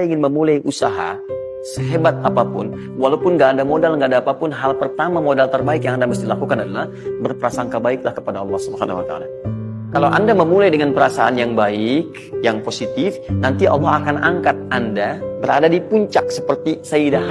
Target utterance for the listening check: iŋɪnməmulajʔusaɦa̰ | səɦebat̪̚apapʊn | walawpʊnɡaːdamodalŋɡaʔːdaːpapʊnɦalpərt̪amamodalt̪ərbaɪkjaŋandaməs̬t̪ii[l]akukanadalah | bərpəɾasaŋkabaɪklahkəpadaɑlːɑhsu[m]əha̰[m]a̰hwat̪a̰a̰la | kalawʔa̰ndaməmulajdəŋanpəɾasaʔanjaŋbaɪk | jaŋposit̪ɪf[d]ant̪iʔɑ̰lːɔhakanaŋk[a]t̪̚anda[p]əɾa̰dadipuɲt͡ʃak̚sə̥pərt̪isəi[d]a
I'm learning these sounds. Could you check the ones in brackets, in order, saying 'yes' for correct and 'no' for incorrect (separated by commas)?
yes, no, no, no, yes, no, yes